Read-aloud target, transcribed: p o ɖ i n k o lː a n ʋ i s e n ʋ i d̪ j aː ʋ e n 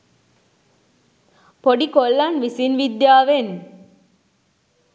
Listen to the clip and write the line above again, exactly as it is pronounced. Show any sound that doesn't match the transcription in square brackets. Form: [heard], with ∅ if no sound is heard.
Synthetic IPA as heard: p o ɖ i [∅] k o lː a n ʋ i s [i] n ʋ i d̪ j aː ʋ e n